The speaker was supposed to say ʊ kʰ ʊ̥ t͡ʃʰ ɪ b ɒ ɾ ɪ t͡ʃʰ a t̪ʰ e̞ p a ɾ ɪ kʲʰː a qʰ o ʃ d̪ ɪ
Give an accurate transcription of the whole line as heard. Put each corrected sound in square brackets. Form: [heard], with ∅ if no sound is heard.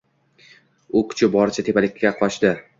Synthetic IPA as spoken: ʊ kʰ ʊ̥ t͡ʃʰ ɪ b ɒ ɾ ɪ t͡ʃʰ a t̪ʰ e̞ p a [l] ɪ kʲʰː a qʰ [ɒ] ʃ d̪ ɪ